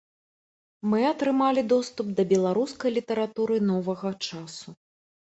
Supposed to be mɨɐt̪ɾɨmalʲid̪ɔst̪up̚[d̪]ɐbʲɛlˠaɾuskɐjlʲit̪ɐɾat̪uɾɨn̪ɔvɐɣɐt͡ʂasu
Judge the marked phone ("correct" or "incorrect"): correct